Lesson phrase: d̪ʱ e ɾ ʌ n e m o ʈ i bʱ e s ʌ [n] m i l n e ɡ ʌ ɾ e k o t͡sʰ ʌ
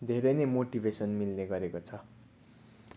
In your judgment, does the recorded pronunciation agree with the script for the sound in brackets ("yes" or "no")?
yes